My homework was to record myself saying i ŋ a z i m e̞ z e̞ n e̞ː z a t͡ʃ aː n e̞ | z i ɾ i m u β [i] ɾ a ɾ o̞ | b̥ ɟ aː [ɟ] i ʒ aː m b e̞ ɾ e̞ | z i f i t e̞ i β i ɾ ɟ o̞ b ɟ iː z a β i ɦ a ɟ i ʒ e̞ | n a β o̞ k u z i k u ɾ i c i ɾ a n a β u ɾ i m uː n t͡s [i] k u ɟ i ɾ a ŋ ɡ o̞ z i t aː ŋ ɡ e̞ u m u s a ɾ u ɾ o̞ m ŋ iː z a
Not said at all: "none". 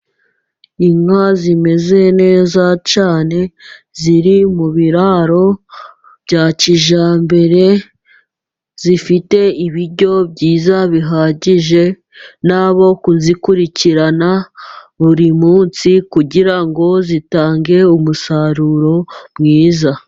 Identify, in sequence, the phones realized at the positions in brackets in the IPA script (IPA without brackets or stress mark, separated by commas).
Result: i, c, i